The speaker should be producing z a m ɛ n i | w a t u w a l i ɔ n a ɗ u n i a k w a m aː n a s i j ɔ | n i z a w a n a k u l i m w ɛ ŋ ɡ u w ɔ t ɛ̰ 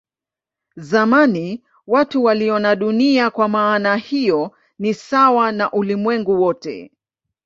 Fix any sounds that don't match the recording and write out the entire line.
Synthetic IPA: z a m a n i | w a t u w a l i ɔ n a ɗ u n i a k w a m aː n a h i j ɔ | n i s a w a n a ʔ u l i m w ɛ ŋ ɡ u w ɔ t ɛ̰